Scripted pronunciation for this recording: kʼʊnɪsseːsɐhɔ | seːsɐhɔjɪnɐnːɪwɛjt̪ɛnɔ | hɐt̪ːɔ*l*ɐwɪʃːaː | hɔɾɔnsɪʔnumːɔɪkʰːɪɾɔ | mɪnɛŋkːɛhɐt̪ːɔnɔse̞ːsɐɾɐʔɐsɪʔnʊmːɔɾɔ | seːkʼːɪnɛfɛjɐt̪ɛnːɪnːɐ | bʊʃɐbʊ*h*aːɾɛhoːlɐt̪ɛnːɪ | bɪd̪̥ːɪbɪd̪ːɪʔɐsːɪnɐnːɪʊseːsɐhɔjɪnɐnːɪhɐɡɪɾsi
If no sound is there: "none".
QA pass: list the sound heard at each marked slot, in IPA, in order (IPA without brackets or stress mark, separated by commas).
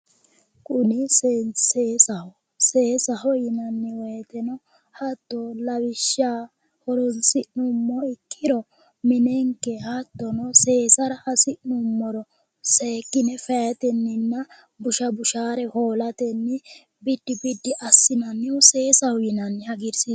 l, ʃ